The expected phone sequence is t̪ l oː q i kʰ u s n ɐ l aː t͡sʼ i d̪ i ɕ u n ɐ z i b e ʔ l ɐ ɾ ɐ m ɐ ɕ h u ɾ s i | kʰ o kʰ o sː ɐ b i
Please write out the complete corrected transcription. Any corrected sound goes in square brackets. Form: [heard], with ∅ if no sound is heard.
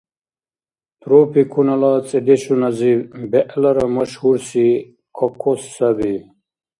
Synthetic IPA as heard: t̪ [ɾ] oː [p] i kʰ u [∅] n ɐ l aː t͡sʼ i d̪ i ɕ u n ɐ z i b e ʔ l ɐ ɾ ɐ m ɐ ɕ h u ɾ s i | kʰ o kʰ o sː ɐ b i